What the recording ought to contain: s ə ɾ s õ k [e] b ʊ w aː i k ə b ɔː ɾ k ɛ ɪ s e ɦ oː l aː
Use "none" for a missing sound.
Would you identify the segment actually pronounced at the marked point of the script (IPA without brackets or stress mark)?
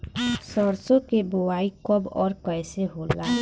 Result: e